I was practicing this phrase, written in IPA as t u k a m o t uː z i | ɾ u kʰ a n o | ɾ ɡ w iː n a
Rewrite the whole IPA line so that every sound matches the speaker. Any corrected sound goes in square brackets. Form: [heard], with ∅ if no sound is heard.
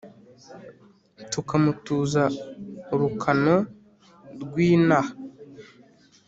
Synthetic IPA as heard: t u k a m [u] t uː z [a] | ɾ u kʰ a n o | ɾ ɡ w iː n a

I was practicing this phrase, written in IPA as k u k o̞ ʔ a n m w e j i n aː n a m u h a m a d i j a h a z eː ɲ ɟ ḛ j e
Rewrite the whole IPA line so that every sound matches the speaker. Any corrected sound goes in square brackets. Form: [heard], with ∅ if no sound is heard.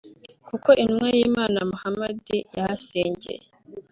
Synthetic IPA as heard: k u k o̞ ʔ [i] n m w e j i [m] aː n a m u h a m a d i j a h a [s] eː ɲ ɟ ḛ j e

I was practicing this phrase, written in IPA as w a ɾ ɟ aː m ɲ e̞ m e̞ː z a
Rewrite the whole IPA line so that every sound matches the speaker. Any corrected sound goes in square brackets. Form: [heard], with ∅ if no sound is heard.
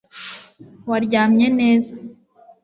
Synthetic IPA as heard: w a ɾ ɟ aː m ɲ e̞ [n] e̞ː z a

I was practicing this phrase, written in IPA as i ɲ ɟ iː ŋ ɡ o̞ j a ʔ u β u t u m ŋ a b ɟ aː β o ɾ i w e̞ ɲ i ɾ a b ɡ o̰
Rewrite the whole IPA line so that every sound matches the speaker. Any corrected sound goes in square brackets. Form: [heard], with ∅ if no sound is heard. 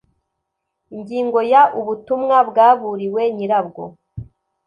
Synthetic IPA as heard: i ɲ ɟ iː ŋ ɡ o̞ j a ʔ u β u t u m ŋ a b [ɡ] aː β [u] ɾ i w e̞ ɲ i ɾ a b ɡ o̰

